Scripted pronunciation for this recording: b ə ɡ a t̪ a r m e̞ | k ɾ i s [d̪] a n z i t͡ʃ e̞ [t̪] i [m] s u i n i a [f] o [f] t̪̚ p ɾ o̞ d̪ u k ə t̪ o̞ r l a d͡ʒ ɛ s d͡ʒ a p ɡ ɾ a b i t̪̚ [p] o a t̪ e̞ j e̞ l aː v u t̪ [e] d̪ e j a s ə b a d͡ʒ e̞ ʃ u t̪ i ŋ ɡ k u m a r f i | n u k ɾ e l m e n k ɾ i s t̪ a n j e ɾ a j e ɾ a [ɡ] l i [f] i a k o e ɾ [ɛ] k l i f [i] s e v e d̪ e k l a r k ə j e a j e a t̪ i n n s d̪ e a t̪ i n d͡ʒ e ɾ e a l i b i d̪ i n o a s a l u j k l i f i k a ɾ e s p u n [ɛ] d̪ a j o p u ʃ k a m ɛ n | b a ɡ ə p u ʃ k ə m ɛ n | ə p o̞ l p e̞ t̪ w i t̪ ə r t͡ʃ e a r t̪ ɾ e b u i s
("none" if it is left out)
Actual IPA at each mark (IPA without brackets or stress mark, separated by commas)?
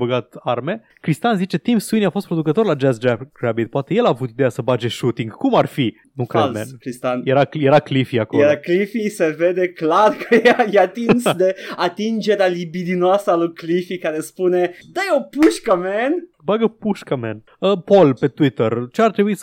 t̪, t̪, m, f, s, p, i, k, f, a, i, e